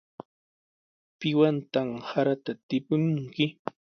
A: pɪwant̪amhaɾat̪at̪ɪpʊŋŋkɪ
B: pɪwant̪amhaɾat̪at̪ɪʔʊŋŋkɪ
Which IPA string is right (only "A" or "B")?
A